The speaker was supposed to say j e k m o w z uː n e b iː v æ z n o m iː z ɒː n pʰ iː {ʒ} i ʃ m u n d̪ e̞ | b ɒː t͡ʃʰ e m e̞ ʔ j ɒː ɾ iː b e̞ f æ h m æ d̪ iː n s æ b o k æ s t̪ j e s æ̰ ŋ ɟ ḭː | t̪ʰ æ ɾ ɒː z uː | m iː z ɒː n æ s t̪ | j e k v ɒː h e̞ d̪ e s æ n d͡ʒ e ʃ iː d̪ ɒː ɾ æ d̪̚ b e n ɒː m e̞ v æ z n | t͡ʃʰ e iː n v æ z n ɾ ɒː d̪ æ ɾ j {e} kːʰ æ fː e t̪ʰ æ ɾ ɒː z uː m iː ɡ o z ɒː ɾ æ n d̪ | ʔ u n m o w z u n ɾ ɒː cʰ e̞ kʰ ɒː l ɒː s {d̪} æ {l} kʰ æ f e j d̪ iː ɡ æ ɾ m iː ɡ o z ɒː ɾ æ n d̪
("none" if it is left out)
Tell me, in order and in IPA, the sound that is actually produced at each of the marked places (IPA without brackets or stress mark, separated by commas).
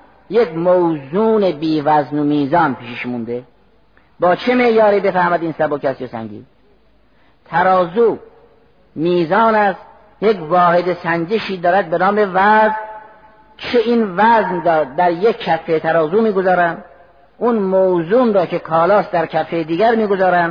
ʃ, e, d̪, ɾ